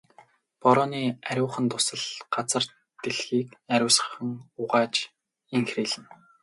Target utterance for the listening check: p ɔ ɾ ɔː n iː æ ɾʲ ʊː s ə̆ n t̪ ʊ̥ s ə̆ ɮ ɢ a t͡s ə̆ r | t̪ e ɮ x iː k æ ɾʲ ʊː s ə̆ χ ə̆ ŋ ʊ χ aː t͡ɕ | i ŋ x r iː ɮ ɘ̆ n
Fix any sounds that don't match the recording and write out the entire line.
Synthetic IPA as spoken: p ɔ ɾ ɔː n iː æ ɾʲ ʊː χ ə̆ n t̪ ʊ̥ s ə̆ ɮ ɢ a t͡s ə̆ r | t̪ e ɮ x iː k æ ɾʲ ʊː s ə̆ χ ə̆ ŋ ʊ ʁ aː t͡ɕ | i ŋ x r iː ɮ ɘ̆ n